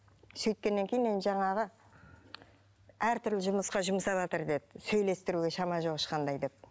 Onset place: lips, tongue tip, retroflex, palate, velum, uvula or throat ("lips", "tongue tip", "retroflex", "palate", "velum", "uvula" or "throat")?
tongue tip